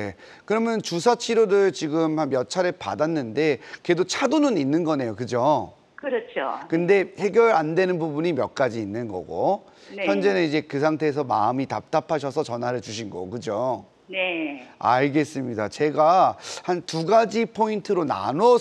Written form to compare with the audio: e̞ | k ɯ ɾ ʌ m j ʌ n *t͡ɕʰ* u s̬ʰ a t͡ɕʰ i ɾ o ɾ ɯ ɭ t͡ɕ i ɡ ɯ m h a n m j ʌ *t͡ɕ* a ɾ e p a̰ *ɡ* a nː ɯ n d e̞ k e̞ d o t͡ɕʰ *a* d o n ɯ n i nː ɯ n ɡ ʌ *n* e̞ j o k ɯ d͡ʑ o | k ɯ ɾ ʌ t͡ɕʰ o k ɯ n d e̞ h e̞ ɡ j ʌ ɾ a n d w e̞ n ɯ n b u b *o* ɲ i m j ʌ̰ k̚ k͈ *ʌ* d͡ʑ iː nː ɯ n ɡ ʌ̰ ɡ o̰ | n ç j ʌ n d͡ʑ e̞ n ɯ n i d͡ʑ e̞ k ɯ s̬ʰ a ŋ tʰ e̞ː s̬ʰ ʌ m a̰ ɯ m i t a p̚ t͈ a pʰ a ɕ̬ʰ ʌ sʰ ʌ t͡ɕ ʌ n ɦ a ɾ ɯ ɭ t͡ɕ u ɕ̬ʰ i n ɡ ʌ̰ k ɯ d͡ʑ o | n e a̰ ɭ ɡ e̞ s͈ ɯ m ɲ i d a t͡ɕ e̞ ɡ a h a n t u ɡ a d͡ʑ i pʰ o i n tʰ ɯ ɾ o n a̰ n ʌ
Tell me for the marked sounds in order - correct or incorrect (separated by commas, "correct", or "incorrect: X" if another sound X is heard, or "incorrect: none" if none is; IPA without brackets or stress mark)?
incorrect: t͡ɕ, incorrect: t͡ɕʰ, incorrect: d, correct, correct, incorrect: u, incorrect: a